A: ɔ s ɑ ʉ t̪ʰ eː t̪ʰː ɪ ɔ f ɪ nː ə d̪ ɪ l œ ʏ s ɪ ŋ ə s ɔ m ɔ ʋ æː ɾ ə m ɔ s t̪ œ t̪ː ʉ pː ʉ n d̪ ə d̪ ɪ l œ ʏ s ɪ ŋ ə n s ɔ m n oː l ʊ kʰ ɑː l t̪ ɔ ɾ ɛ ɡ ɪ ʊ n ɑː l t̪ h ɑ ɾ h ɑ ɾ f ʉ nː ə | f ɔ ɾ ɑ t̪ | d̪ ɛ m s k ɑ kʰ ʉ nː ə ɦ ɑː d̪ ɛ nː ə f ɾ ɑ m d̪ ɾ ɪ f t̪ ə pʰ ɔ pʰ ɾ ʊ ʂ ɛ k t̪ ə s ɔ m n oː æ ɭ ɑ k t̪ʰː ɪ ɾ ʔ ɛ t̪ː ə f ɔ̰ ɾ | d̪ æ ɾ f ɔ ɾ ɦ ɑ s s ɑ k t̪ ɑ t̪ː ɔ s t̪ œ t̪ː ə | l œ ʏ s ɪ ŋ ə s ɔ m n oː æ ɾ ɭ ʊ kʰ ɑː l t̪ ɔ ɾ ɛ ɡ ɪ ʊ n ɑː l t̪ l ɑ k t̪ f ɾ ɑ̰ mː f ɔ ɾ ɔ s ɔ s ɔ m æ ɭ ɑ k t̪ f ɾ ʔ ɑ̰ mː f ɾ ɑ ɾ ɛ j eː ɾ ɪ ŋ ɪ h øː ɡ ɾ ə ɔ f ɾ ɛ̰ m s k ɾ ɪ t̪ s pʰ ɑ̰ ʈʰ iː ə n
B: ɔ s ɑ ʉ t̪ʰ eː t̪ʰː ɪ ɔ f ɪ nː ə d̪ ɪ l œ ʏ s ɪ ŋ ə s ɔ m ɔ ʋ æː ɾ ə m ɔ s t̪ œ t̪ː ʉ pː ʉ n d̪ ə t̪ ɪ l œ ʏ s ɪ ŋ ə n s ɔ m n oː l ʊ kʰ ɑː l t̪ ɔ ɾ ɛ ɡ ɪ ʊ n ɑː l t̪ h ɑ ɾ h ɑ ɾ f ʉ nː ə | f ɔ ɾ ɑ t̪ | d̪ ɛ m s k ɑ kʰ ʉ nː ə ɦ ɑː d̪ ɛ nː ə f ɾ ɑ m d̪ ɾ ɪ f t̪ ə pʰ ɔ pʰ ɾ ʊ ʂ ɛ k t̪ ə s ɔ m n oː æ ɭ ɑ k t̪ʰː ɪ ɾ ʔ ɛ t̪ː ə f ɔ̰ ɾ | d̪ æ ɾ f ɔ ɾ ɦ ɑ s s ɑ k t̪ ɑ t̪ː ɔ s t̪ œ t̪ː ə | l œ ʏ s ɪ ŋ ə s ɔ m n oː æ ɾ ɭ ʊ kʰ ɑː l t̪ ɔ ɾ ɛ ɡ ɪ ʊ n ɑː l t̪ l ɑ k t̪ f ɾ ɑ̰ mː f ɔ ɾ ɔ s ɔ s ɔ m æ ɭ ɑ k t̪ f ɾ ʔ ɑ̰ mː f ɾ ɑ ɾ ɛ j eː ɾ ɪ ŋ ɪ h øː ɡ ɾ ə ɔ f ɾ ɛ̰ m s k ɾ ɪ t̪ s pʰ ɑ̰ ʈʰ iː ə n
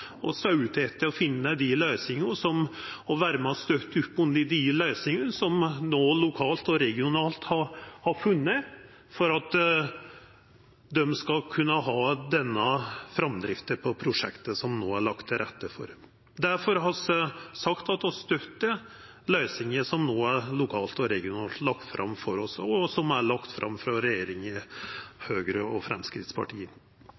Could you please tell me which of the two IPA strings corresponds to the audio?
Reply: A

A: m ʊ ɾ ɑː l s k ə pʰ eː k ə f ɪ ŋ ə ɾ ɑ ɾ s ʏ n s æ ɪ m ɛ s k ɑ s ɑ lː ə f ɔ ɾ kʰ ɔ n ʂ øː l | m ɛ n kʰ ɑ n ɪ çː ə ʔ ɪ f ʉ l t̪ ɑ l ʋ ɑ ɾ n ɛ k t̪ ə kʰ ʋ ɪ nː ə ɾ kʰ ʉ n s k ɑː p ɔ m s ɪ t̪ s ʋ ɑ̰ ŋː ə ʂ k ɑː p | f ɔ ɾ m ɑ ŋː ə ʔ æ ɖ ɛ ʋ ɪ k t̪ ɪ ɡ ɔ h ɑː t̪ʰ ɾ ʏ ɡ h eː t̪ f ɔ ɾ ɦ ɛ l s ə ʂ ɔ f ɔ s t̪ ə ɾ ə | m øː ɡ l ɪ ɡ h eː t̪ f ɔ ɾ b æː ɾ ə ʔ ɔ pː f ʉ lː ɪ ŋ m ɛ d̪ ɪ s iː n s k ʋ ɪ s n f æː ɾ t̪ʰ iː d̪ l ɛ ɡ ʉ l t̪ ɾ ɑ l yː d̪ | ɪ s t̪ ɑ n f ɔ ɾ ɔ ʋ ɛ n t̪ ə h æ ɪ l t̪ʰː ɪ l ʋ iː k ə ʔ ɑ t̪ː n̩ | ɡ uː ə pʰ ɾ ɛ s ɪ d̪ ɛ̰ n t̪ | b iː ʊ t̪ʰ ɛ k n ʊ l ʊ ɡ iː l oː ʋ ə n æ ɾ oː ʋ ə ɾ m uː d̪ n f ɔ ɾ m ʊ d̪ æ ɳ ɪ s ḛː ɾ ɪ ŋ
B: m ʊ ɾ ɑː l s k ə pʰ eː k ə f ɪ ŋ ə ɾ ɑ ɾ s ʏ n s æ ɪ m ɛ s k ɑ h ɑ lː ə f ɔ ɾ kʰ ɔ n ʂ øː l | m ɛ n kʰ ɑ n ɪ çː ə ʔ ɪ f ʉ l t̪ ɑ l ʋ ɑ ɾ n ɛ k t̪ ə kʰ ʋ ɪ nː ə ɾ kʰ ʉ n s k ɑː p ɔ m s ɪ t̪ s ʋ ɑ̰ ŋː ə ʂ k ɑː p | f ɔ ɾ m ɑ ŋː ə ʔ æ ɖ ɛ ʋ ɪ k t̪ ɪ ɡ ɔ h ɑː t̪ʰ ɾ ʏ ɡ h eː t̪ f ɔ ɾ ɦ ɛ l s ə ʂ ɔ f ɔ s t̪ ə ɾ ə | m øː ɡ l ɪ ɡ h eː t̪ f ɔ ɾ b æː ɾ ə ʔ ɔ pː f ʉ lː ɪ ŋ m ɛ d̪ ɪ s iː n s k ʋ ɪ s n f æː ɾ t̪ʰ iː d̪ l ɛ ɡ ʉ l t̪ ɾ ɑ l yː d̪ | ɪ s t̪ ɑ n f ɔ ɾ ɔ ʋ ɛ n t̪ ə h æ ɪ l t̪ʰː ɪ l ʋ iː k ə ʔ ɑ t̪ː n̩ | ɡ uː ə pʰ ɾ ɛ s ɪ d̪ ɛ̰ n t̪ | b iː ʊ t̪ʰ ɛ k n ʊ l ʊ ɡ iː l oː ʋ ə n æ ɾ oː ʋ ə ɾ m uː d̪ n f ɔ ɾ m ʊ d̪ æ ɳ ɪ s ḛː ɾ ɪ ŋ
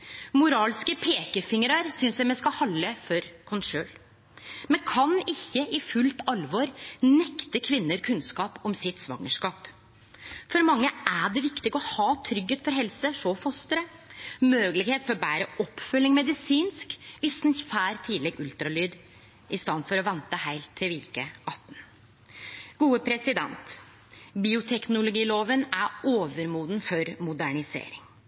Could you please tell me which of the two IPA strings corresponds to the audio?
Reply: B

